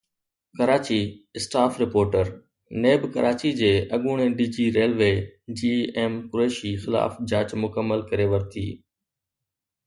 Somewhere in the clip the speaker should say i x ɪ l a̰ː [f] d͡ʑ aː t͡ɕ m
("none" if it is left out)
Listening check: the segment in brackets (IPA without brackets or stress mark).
f